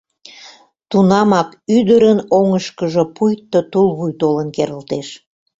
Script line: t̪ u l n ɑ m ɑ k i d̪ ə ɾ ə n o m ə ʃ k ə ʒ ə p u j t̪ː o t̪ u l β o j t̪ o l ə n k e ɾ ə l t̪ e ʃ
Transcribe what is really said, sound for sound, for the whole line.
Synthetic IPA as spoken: t̪ u n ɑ m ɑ k y d̪ ə ɾ ə n o ŋ ə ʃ k ə ʒ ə p u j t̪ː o t̪ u l β u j t̪ o l ə n k e ɾ ə l t̪ e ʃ